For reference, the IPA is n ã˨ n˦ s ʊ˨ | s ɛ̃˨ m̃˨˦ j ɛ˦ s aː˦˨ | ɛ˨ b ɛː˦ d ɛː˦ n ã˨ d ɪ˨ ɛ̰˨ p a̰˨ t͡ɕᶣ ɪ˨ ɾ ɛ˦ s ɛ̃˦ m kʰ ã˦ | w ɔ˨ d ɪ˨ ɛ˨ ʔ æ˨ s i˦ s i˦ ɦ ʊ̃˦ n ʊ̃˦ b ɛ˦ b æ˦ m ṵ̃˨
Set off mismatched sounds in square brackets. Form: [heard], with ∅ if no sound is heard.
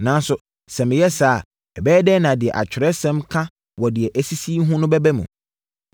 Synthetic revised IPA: n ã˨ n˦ s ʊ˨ | s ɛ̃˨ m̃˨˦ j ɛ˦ s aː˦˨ | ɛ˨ b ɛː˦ d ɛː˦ n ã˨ d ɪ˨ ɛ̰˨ [ʔ] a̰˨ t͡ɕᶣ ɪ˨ ɾ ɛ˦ s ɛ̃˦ m kʰ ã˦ | w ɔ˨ d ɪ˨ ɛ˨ ʔ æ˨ s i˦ s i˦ ɦ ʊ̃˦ n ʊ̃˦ b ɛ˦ b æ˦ m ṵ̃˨

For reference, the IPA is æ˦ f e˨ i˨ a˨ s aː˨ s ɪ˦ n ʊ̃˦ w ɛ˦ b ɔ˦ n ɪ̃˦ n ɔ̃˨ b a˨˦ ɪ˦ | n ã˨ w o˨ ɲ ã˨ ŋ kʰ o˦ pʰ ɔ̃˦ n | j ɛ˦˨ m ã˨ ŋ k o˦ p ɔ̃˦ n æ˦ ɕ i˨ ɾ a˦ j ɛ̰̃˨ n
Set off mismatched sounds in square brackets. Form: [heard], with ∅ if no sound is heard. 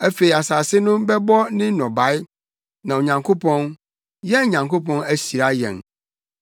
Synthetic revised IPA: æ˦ f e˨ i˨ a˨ s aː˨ s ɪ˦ n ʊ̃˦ [b] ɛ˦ b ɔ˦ n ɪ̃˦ n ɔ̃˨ b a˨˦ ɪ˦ | n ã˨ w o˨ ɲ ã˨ ŋ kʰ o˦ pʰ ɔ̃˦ n | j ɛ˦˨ [ɲ] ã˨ ŋ k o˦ p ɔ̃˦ n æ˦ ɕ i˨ ɾ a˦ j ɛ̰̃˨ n

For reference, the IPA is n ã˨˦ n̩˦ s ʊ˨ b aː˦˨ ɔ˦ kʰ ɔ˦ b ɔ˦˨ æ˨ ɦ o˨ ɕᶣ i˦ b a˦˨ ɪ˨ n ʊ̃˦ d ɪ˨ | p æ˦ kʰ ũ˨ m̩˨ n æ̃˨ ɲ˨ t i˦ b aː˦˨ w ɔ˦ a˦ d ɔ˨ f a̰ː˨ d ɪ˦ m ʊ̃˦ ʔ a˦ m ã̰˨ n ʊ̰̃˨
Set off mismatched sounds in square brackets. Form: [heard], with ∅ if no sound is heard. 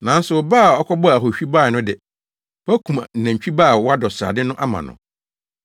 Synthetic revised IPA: n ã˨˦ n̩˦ s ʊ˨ b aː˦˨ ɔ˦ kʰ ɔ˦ b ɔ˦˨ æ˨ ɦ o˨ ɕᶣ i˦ b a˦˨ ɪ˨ n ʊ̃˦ d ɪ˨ | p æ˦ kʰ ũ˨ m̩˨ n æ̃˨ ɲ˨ [t͡ɕᶣ] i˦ b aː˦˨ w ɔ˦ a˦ d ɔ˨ [s] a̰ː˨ d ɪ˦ [n] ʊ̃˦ ʔ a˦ m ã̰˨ n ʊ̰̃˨

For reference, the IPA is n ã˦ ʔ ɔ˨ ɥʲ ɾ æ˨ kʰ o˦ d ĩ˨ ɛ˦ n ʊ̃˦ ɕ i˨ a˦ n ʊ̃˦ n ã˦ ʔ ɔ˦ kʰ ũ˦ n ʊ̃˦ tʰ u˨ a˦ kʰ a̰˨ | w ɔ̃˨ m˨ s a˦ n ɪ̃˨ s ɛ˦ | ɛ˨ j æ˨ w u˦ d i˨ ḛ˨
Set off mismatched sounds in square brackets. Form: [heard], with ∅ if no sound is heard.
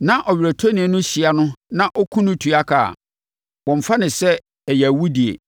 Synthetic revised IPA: n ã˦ ʔ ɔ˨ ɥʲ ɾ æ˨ [tʰ] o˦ [n] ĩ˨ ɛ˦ n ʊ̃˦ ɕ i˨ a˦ n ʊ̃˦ n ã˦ ʔ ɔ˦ kʰ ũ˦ n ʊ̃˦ tʰ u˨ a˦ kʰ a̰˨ | w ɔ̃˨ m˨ [f] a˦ n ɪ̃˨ s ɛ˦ | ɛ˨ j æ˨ w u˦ d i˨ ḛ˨

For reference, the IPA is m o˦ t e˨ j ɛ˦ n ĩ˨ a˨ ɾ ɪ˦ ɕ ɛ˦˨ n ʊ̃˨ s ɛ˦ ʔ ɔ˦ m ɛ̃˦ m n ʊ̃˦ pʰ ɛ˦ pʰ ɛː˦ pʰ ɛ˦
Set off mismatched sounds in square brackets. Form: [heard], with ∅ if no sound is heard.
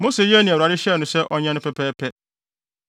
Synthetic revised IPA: m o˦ [s] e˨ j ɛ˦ n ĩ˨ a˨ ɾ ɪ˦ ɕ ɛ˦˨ n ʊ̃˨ s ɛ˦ ʔ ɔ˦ [ɲ] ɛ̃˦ [∅] n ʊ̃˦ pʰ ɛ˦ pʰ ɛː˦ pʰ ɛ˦

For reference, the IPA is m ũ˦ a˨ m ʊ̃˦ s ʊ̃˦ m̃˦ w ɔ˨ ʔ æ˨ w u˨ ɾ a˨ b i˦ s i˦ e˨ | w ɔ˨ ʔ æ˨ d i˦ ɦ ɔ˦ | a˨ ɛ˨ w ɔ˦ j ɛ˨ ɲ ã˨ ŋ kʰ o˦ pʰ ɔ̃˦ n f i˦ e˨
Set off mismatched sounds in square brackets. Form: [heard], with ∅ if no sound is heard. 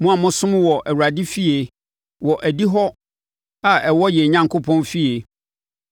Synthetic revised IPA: m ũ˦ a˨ m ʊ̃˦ s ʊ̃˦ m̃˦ w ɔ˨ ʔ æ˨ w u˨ ɾ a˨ [d] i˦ [f] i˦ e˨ | w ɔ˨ ʔ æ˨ d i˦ ɦ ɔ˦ | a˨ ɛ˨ w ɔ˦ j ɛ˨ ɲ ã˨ ŋ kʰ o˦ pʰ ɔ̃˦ n f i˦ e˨

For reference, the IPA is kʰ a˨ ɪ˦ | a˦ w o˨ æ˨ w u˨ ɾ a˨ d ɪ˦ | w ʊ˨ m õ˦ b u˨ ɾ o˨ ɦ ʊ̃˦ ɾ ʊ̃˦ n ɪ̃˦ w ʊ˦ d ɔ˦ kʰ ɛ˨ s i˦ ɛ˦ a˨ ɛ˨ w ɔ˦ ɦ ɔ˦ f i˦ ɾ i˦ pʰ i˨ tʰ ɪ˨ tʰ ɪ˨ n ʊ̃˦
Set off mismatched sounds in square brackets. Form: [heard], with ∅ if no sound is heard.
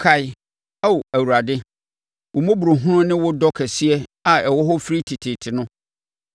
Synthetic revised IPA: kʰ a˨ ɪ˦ | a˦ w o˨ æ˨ w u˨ ɾ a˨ d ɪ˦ | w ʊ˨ m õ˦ b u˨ ɾ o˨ ɦ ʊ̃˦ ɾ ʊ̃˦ n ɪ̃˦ w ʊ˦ d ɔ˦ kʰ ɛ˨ s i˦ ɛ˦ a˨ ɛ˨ w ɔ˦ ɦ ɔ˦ f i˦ ɾ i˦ [tʰ] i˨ tʰ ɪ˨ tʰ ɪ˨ n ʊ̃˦

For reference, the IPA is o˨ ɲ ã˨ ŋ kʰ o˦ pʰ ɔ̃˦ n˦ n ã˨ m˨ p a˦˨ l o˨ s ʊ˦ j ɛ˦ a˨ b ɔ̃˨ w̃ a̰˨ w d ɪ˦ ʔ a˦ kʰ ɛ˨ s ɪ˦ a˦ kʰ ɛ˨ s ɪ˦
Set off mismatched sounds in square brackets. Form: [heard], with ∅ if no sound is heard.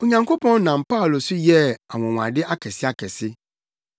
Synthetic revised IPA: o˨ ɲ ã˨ ŋ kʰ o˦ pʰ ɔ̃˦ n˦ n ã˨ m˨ p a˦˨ l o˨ s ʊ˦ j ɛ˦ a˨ [w] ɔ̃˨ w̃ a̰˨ [∅] d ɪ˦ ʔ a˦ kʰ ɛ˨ s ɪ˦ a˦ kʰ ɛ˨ s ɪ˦

